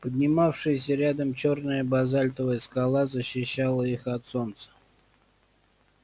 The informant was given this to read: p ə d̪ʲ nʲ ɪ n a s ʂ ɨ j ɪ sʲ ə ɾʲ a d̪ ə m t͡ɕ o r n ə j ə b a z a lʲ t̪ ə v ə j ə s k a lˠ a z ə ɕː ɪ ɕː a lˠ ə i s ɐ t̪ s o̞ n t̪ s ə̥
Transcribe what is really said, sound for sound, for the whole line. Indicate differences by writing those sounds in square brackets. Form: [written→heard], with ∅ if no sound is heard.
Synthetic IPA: p ə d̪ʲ nʲ ɪ [n→m] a [s→f] ʂ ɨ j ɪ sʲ ə ɾʲ a d̪ ə m t͡ɕ o r n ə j ə b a z a lʲ t̪ ə v ə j ə s k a lˠ a z ə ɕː ɪ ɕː a lˠ ə i [s→x] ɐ t̪ s o̞ n t̪ s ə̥